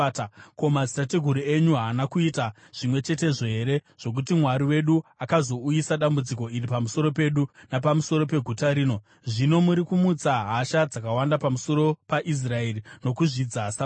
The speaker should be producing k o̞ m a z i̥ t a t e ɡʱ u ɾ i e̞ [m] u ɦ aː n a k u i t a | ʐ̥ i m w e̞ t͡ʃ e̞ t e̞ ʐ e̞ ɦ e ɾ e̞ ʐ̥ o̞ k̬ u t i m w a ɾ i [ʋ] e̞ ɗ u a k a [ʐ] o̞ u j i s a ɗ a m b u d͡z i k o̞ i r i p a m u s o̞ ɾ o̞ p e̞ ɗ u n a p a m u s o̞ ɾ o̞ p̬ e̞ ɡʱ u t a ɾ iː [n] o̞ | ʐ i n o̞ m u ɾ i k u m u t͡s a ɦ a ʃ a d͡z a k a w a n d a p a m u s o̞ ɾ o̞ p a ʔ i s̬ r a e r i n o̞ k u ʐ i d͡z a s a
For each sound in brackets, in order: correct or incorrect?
incorrect: ɲ, incorrect: w, incorrect: z, correct

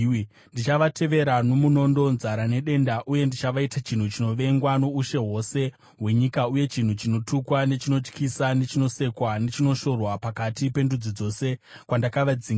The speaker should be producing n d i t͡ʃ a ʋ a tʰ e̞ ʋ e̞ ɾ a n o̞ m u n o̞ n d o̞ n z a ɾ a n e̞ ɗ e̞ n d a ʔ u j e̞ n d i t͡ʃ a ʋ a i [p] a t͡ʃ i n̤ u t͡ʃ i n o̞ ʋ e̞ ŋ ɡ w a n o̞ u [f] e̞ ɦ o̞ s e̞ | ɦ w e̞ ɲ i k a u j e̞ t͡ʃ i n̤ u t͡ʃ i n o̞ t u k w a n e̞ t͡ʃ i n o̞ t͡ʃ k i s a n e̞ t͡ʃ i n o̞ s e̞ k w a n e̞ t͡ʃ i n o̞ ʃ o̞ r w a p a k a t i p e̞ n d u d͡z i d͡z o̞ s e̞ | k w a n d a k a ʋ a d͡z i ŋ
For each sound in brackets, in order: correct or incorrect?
incorrect: t, incorrect: ʃ

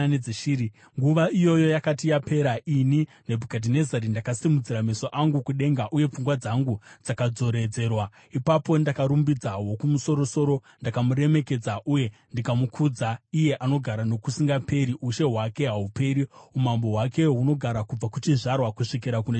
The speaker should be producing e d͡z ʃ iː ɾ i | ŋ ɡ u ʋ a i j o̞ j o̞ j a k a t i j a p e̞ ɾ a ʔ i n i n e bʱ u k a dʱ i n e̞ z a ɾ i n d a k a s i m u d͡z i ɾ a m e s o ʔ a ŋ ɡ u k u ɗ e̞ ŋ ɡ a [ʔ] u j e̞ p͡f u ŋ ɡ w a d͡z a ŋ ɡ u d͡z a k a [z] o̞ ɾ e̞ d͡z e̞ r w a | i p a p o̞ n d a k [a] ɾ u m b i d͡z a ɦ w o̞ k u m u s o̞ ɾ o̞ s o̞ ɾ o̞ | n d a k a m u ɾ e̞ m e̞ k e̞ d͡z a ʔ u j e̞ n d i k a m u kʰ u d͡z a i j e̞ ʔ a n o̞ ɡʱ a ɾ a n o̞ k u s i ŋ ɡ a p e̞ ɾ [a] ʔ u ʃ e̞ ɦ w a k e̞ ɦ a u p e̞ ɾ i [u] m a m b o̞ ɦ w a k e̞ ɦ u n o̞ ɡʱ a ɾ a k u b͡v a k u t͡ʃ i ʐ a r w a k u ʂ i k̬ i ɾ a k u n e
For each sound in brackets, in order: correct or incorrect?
correct, incorrect: d͡z, correct, incorrect: i, correct

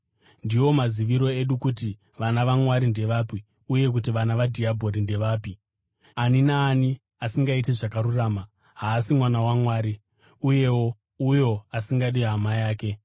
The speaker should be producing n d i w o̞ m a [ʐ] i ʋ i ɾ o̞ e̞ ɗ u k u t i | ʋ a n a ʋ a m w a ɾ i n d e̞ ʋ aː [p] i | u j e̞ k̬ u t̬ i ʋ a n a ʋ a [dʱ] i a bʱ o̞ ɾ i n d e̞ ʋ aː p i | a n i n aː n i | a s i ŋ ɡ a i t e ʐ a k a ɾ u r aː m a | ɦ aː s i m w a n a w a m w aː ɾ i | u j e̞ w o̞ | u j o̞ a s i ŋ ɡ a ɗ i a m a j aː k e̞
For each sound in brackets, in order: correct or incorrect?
incorrect: z, correct, correct

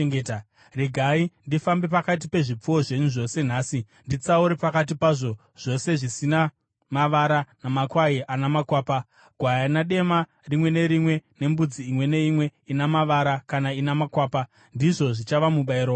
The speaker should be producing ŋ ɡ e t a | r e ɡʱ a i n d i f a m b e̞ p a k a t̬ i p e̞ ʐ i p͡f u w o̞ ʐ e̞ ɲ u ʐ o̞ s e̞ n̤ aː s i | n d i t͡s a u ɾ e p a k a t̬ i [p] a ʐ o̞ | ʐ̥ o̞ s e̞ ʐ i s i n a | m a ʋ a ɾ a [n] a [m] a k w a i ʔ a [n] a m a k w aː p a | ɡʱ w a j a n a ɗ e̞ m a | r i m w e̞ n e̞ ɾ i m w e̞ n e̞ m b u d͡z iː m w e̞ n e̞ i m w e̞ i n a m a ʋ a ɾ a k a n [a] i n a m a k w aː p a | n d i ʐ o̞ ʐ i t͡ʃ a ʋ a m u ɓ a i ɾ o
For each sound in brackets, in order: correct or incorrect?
correct, correct, correct, correct, correct

